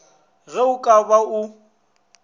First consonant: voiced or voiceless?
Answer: voiced